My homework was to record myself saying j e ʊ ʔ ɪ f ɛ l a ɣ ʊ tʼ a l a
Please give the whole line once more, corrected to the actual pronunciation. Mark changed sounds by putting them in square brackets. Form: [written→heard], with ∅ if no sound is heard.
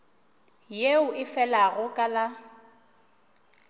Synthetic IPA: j e ʊ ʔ ɪ f ɛ l a ɣ ʊ [tʼ→kʼ] a l a